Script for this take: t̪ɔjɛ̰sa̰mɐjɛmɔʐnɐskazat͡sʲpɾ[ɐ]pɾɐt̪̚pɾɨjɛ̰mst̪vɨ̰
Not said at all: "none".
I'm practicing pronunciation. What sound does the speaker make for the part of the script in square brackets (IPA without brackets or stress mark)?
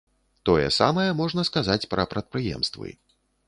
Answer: ɐ